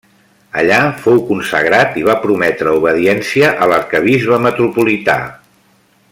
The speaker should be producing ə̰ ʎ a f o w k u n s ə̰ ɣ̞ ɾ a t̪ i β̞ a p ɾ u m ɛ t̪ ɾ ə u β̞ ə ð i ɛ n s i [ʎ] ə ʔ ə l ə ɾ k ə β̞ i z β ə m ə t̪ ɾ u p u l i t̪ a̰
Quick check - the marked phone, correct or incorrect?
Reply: incorrect: none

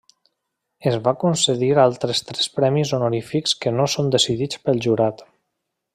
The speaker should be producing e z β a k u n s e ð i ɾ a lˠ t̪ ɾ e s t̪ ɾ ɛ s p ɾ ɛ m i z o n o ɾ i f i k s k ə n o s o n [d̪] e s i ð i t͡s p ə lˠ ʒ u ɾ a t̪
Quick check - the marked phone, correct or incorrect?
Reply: correct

